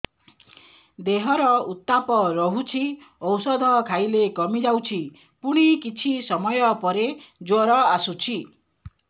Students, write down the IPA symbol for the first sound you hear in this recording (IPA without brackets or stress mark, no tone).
d̪